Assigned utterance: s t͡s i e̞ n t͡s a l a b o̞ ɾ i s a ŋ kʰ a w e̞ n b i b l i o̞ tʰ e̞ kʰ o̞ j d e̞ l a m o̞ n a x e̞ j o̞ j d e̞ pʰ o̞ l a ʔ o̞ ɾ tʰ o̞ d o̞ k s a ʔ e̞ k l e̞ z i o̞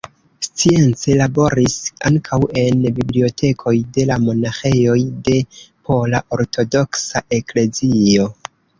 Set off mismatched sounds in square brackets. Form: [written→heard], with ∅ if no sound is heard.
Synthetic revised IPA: s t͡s i e̞ n t͡s [a→e] l a b o̞ ɾ i s a ŋ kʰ a w e̞ n b i b l i o̞ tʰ e̞ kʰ o̞ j d e̞ l a m o̞ n a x e̞ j o̞ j d e̞ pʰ o̞ l a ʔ o̞ ɾ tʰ o̞ d o̞ k s a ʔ e̞ k l e̞ z i o̞